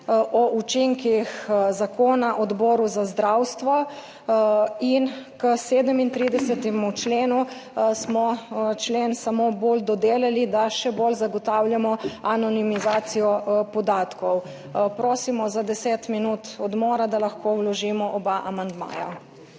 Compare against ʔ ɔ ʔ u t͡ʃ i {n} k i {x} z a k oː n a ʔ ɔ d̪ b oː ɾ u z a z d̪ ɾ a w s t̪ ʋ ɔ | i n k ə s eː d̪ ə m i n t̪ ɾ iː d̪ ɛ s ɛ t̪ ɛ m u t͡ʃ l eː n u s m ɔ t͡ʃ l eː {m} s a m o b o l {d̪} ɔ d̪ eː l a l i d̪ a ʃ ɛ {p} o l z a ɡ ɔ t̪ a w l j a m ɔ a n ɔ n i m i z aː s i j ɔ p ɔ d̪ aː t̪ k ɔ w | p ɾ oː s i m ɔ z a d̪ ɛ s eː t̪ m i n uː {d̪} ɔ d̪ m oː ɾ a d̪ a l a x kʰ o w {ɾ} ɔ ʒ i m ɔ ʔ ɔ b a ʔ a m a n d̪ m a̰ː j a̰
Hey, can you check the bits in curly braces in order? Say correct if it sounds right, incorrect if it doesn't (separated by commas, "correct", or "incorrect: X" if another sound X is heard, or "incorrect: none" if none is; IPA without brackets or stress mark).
incorrect: ŋ, correct, incorrect: n, correct, incorrect: b, incorrect: t̪, incorrect: l